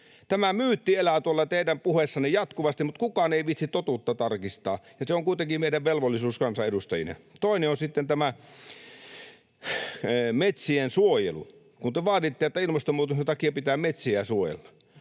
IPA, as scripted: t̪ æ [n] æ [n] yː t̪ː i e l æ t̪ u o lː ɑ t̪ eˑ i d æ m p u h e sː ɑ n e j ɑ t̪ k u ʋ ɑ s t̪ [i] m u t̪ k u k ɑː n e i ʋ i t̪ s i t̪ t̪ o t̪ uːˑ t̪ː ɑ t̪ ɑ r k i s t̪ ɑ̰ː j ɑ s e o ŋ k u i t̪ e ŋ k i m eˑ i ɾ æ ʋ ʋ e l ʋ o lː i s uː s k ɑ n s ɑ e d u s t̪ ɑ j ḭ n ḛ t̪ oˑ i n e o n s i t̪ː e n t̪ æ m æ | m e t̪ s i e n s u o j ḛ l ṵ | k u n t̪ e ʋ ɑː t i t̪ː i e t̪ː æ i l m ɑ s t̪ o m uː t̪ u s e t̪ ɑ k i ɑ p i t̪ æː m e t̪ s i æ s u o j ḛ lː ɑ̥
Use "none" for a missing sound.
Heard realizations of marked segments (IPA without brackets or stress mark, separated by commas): m, m, i